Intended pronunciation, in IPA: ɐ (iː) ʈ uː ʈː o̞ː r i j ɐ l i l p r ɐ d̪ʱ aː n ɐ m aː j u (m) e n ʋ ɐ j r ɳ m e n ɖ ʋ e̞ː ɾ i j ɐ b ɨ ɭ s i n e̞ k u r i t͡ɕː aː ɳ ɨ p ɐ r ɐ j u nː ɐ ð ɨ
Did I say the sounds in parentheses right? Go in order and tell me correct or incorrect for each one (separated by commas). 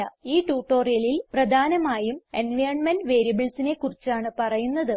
correct, correct